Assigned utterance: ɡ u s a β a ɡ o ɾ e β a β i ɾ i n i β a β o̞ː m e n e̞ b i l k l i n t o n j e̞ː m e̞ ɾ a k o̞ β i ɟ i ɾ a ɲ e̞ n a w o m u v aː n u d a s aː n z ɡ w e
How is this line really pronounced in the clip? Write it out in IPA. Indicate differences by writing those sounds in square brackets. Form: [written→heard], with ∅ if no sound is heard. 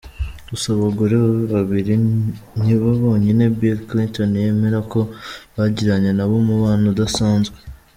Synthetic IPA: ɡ u s a β a ɡ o ɾ e β a β i ɾ i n i β a β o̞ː [m→ɲ] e n e̞ b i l k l i n t o n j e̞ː m e̞ ɾ a k o̞ β [i→a] ɟ i ɾ a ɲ e̞ n a [w→β] o m u [v→β] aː n u d a s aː n z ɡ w e